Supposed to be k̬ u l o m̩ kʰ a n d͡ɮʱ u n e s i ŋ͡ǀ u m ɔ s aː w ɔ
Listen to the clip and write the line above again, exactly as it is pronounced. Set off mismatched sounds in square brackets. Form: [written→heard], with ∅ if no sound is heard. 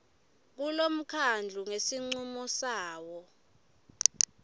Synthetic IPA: k̬ u l o m̩ kʰ a n d͡ɮʱ u [n→ŋ] e s i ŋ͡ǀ u m ɔ s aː w ɔ